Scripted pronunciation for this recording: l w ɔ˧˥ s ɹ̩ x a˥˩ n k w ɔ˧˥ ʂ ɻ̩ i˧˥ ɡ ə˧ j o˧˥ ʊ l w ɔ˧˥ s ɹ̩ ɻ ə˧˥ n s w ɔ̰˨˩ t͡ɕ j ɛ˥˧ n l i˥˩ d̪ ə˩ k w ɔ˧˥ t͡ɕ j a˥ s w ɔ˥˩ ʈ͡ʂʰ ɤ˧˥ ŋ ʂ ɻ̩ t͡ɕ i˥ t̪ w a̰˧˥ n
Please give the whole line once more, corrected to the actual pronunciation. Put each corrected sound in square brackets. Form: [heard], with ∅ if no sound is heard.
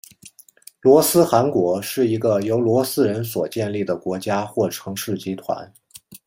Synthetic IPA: l w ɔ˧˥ s ɹ̩ x [a˧˥] n k w ɔ˧˥ ʂ ɻ̩ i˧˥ ɡ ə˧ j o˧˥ ʊ l w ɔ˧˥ s ɹ̩ ɻ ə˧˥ n s w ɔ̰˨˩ t͡ɕ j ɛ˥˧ n l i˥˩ d̪ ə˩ k w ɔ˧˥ t͡ɕ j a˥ [x] w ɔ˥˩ ʈ͡ʂʰ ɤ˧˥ ŋ ʂ ɻ̩ t͡ɕ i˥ [t̪ʰ] w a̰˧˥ n